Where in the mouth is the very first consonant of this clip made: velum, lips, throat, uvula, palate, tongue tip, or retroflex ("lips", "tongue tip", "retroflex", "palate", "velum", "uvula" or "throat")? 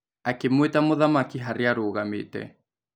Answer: velum